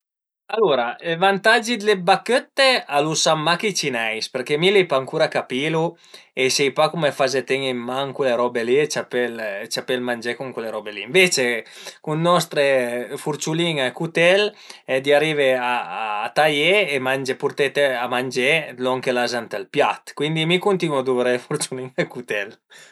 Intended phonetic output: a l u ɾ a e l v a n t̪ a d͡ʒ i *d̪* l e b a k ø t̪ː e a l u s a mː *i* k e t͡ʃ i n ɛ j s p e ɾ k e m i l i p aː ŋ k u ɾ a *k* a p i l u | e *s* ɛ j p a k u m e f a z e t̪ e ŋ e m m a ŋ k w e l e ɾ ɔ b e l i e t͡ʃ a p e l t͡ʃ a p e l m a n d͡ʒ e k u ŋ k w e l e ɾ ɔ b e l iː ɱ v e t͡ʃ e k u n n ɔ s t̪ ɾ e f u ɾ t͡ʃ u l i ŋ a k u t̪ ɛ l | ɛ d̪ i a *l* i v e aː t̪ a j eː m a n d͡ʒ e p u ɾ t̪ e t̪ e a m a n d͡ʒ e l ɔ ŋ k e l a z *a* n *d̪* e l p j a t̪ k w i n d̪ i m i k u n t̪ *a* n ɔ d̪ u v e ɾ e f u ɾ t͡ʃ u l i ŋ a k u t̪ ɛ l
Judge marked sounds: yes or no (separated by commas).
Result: yes, no, yes, yes, no, yes, no, no